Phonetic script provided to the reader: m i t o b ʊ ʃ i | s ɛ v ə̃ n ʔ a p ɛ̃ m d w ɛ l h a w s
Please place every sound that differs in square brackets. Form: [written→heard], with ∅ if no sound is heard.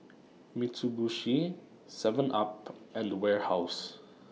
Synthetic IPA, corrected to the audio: m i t [o→u] b [ʊ→u] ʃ i | s ɛ v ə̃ n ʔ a p ɛ̃ [m→n] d w ɛ [l→ɹ] h a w s